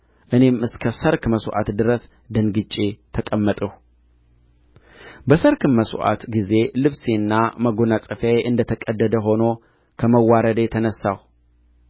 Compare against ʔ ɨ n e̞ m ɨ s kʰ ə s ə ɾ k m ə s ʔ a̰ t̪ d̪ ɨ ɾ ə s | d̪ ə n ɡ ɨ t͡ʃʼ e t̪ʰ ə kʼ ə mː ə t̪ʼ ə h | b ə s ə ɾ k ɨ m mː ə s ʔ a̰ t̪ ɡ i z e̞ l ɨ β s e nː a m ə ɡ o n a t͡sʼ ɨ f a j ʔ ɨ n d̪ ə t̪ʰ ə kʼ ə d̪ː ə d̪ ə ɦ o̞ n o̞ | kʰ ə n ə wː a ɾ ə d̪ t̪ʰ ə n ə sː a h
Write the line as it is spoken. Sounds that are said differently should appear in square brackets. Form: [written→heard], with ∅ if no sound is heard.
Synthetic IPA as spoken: ʔ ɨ n e̞ m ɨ s kʰ ə s ə ɾ k m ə s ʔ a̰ t̪ d̪ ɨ ɾ ə s | d̪ ə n ɡ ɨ t͡ʃʼ e t̪ʰ ə kʼ ə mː ə t̪ʼ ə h | b ə s ə ɾ k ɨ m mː ə s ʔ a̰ t̪ ɡ i z e̞ l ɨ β s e nː a m ə ɡ o n a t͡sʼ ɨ f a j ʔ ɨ n d̪ ə t̪ʰ ə kʼ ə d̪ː ə d̪ ə ɦ o̞ n o̞ | kʰ ə [n→m] ə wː a ɾ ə d̪ t̪ʰ ə n ə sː a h